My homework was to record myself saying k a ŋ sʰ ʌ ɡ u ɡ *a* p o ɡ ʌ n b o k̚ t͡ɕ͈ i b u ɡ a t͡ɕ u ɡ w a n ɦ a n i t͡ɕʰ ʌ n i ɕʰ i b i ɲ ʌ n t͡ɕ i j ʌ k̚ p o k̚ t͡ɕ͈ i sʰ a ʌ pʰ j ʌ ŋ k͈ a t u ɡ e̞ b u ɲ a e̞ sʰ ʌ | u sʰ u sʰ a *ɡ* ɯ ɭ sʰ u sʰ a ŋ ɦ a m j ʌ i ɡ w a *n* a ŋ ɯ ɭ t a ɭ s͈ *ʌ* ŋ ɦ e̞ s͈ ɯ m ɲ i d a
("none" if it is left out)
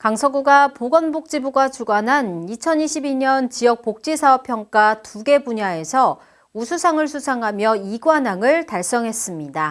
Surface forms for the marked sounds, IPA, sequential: a, ŋ, n, ʌ

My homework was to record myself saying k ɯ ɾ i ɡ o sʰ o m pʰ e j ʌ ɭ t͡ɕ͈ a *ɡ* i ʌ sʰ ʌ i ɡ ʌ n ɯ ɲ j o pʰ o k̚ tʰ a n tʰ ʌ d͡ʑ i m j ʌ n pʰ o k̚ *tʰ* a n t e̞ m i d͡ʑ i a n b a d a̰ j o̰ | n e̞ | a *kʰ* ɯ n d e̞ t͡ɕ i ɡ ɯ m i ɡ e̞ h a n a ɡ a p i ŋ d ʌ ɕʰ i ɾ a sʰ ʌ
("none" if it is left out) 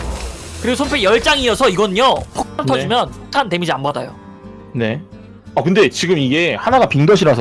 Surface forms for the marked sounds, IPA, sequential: ŋ, tʰ, k

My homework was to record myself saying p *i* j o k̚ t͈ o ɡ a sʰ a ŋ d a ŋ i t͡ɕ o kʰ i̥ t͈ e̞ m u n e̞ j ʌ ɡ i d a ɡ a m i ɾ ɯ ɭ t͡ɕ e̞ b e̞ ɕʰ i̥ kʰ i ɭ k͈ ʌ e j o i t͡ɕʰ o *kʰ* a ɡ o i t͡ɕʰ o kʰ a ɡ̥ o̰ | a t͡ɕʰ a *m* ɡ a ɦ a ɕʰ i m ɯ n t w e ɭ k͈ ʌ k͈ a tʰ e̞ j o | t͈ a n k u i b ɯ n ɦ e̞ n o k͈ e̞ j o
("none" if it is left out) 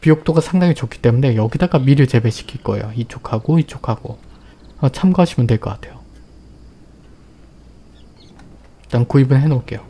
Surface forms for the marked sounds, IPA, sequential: i, kʰ, m

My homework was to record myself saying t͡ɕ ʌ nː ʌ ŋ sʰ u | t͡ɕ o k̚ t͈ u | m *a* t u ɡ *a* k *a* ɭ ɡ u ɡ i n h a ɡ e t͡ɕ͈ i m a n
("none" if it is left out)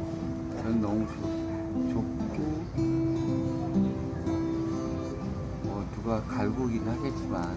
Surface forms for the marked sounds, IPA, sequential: ʌ, a, a

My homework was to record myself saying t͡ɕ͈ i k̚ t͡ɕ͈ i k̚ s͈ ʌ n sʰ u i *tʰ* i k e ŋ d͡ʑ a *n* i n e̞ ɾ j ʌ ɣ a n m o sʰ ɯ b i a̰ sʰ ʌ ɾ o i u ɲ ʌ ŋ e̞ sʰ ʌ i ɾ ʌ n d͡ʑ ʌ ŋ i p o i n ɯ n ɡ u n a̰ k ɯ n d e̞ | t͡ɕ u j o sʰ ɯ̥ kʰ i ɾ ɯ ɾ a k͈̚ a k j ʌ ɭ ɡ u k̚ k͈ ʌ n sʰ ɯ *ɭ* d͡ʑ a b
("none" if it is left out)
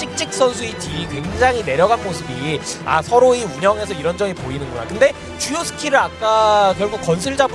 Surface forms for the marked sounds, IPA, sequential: tʰ, ŋ, ɭ

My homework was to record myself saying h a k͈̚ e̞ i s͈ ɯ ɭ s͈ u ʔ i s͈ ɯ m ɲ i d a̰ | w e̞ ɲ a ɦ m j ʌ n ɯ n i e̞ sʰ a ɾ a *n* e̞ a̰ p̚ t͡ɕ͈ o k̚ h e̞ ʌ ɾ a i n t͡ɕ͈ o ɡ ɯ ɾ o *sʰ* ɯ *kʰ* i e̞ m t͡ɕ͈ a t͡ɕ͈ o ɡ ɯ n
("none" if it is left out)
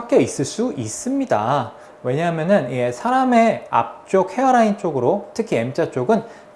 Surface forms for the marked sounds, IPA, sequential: m, tʰ, kʰ

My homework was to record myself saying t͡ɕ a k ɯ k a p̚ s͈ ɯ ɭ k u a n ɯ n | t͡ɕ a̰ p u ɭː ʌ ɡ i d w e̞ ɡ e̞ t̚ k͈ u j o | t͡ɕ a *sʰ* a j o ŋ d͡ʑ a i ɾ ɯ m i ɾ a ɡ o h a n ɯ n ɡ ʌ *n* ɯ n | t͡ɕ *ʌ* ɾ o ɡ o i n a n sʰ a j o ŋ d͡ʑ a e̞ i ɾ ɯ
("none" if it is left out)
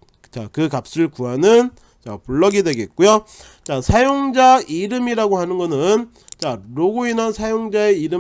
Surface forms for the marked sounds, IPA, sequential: sʰ, n, a

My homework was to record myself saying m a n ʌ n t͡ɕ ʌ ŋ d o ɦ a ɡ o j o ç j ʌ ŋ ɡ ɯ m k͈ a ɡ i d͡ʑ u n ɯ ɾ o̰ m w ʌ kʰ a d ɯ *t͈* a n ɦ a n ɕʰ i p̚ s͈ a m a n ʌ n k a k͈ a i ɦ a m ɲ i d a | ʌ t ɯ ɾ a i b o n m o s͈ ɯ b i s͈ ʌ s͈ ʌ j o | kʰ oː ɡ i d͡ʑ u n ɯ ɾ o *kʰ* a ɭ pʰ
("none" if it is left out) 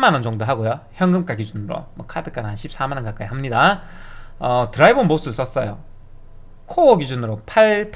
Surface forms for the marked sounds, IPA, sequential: k͈, pʰ

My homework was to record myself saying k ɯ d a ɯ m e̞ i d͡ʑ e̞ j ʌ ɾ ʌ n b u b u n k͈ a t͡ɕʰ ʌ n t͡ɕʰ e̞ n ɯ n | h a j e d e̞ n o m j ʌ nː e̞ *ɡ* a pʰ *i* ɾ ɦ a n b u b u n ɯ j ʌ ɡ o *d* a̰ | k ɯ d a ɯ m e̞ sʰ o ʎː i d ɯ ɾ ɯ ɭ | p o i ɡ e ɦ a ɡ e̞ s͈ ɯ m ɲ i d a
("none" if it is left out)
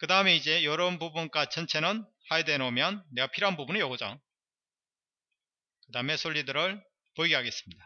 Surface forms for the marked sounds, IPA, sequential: ɡ, i, d͡ʑ

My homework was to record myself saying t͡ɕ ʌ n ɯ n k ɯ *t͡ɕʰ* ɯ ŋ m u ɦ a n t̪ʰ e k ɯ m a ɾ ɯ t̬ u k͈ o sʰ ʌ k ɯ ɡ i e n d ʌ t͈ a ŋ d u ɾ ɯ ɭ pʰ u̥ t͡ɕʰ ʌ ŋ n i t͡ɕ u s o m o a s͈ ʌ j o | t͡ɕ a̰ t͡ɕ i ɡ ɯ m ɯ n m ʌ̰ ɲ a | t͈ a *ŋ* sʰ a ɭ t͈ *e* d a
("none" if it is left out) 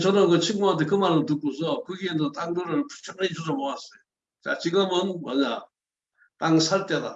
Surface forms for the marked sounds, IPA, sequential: t͡ɕʰ, ŋ, e

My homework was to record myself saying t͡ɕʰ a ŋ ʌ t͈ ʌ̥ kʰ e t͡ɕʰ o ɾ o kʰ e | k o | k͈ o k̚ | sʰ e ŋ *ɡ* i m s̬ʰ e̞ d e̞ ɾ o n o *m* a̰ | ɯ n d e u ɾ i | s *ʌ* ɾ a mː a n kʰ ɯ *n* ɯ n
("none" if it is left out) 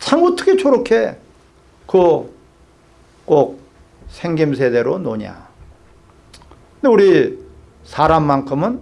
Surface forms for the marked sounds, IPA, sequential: ɡ, ɲ, a, m

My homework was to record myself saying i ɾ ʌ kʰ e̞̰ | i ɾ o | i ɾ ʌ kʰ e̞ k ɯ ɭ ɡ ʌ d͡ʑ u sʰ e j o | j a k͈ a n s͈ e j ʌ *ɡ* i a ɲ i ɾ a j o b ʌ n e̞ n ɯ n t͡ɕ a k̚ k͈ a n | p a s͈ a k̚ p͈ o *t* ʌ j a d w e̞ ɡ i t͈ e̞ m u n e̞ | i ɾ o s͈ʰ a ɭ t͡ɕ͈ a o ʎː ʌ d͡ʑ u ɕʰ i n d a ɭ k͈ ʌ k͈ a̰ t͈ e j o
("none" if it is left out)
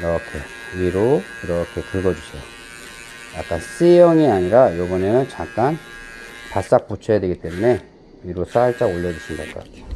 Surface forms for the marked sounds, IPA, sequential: ŋ, t͡ɕʰ

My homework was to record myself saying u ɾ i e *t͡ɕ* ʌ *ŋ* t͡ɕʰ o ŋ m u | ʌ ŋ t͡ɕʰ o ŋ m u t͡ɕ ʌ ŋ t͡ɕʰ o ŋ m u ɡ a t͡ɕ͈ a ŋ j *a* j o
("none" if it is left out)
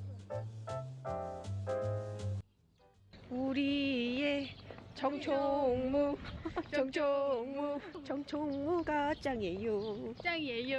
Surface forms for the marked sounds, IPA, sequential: t͡ɕ, ŋ, e

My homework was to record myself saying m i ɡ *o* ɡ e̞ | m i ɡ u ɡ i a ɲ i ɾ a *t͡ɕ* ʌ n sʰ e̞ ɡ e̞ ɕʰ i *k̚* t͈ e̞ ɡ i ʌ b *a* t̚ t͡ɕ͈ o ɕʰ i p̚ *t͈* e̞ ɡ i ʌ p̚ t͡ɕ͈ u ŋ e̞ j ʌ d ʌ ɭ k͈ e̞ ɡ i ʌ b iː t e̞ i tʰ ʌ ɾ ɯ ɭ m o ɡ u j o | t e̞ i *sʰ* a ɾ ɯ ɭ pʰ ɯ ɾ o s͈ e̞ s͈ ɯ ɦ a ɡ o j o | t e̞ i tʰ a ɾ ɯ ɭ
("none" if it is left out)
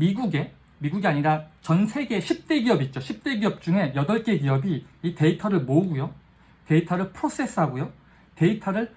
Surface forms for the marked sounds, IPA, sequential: u, t͡ɕ, p̚, i, t͈, tʰ

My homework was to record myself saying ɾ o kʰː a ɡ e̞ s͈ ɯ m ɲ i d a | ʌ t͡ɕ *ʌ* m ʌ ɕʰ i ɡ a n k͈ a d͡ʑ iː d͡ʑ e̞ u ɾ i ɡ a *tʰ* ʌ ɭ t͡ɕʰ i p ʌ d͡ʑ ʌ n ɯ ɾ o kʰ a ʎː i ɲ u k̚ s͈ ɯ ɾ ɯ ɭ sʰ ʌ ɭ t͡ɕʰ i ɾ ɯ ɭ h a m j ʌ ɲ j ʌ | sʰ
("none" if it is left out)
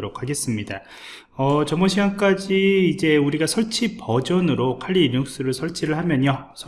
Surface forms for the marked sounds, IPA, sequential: ʌ, sʰ

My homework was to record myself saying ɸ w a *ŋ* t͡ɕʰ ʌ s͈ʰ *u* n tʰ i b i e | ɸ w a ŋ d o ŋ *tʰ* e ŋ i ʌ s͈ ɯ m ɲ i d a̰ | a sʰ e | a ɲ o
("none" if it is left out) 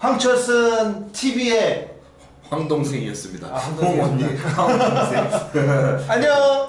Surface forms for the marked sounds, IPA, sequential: ŋ, ɯ, sʰ

